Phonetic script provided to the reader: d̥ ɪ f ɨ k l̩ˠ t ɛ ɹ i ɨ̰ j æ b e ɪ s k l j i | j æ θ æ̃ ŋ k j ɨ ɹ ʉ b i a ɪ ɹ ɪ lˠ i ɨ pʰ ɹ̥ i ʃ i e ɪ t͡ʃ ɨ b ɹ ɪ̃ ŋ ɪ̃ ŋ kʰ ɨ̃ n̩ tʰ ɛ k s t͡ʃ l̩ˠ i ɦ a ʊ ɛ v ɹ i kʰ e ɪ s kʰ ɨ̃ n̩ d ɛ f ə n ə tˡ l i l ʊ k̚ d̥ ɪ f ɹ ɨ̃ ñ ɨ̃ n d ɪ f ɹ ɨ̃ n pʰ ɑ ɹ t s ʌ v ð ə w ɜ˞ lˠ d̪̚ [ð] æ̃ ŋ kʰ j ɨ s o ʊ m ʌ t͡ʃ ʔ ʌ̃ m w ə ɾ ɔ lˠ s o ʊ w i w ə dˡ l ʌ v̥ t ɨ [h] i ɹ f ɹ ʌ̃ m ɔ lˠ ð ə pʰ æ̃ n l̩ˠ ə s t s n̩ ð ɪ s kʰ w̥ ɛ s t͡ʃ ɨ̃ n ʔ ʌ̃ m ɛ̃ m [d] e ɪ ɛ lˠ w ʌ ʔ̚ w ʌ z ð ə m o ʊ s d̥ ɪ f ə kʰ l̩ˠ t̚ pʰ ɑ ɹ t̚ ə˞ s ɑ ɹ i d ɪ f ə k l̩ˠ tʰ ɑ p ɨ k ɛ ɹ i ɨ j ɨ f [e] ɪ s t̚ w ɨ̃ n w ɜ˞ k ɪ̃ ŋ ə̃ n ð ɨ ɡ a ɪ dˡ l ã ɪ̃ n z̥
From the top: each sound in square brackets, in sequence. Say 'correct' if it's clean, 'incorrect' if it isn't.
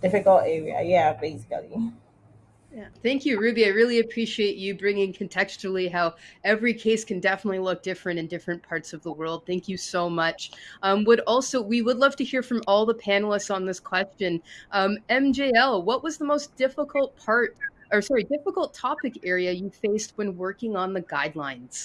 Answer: incorrect: θ, correct, incorrect: d͡ʒ, correct

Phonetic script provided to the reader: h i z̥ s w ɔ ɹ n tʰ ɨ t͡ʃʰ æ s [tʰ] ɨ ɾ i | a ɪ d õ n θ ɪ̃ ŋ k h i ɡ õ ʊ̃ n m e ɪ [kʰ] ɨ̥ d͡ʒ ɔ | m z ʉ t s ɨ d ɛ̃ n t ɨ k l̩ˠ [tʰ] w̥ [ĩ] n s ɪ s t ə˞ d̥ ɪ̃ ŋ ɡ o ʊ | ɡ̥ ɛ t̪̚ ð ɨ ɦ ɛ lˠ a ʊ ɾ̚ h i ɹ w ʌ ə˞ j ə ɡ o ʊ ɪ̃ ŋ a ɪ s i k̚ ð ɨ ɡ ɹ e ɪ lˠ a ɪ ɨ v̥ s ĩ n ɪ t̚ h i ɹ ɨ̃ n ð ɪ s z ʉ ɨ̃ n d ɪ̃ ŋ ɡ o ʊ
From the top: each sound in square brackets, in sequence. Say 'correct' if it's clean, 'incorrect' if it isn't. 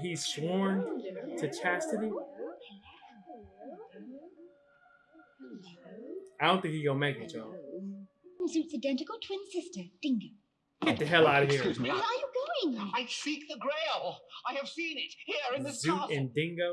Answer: incorrect: t, incorrect: k, correct, incorrect: ɪ̃

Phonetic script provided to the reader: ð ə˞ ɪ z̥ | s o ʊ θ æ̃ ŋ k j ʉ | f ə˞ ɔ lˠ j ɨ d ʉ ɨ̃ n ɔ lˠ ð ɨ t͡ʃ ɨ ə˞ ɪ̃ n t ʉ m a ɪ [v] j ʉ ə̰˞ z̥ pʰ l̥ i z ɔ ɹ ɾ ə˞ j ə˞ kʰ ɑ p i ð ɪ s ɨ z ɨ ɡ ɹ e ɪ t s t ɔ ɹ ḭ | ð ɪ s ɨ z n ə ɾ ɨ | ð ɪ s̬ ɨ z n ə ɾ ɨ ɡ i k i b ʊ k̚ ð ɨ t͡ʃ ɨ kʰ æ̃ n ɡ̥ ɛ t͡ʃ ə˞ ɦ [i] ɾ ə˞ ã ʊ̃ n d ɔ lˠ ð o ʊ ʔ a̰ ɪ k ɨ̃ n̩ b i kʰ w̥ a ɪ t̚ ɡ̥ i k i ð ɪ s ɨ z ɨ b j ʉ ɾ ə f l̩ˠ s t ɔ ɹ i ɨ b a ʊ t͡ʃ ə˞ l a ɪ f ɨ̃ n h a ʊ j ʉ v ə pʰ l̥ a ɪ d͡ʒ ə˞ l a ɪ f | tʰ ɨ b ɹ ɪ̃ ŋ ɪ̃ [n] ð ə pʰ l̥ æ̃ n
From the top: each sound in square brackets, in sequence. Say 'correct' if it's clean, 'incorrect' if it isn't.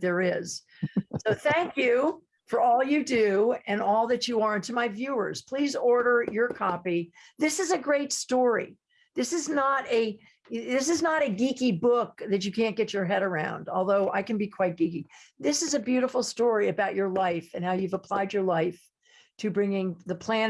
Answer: correct, incorrect: ɛ, incorrect: ŋ

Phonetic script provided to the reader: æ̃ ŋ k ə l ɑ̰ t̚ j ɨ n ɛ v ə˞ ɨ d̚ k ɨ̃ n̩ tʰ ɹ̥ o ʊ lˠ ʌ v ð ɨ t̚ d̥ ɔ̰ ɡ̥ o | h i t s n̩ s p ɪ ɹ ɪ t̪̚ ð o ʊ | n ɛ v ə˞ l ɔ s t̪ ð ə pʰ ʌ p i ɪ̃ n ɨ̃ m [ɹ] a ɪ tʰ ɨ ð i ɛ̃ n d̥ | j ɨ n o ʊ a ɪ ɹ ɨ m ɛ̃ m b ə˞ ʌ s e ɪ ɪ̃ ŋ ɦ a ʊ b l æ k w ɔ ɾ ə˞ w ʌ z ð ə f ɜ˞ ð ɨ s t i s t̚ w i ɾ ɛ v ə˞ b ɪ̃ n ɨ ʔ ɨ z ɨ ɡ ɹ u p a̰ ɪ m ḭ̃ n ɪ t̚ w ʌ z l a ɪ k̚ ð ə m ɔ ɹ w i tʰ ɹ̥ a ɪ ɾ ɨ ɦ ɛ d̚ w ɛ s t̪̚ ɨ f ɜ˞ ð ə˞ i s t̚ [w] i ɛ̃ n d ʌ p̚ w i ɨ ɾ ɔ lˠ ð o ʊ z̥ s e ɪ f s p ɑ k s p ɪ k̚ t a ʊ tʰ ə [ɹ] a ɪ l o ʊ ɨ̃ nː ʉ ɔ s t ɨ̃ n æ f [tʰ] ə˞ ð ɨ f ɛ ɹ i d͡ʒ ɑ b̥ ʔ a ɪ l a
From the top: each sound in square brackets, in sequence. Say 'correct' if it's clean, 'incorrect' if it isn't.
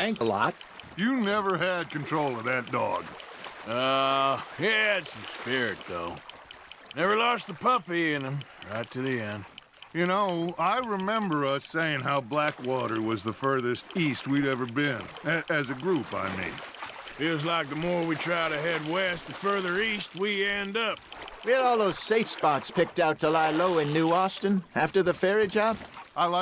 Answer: correct, correct, incorrect: l, incorrect: t

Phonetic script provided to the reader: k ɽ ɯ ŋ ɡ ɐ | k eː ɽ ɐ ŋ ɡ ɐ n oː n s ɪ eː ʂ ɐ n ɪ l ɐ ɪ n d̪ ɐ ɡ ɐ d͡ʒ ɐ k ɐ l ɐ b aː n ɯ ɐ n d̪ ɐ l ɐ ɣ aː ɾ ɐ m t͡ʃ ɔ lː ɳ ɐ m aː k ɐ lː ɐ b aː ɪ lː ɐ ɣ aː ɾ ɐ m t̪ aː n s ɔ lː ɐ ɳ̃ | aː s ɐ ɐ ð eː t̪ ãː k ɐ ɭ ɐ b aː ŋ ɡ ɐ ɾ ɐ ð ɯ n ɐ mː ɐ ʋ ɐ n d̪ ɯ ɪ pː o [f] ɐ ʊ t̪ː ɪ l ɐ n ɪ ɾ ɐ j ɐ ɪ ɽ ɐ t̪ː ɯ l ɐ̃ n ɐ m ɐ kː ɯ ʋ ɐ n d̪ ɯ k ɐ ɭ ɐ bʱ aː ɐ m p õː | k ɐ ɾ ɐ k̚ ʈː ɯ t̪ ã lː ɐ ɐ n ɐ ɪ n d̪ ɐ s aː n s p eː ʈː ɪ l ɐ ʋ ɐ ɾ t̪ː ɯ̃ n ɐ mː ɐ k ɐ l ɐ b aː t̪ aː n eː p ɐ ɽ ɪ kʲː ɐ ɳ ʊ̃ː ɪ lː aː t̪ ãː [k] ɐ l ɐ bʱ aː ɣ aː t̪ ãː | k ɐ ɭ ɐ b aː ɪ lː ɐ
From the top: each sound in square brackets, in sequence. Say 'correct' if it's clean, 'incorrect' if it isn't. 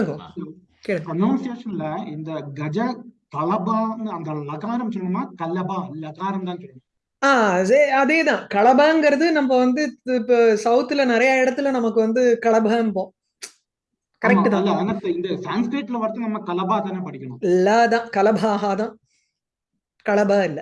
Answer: incorrect: s, correct

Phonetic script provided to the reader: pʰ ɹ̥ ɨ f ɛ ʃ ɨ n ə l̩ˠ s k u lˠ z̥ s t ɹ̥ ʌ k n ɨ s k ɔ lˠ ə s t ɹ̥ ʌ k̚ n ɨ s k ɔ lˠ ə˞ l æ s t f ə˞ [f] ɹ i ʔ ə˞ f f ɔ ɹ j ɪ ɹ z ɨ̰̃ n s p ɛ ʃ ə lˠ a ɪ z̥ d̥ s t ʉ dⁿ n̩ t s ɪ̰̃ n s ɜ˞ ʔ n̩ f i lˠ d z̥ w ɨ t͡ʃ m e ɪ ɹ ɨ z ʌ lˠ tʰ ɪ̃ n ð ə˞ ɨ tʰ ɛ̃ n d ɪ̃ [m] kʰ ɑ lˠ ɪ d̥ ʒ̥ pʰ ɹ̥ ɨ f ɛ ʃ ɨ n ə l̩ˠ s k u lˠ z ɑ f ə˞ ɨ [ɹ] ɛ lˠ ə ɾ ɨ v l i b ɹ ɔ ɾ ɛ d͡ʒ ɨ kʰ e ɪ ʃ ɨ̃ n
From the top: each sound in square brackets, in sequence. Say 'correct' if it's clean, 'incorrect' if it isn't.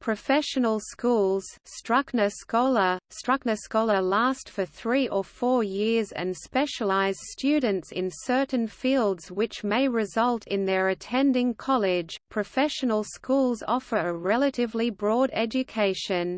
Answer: incorrect: θ, incorrect: ŋ, correct

